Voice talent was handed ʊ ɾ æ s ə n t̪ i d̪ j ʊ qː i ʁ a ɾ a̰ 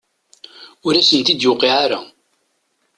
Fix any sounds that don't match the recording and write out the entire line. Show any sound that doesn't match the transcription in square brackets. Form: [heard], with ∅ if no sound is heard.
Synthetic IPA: ʊ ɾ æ s ə n t̪ i d̪ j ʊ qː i [ʕ] a ɾ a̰